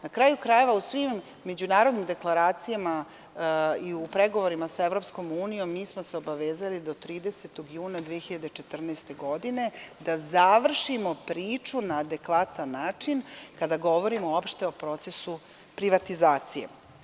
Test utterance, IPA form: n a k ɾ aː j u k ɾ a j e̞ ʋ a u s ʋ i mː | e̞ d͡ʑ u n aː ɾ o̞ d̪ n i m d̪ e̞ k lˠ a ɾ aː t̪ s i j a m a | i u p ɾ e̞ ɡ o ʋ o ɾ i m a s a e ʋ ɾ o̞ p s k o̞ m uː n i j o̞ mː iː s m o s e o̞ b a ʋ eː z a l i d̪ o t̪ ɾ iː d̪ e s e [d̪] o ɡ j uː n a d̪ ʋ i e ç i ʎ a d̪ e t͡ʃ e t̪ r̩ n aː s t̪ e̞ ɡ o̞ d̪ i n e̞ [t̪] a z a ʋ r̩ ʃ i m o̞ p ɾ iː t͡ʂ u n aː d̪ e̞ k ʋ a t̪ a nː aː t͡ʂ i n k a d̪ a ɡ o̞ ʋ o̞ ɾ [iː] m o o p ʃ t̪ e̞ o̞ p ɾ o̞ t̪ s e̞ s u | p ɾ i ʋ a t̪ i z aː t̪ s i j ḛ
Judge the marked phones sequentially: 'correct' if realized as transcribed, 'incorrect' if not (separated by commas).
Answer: incorrect, incorrect, incorrect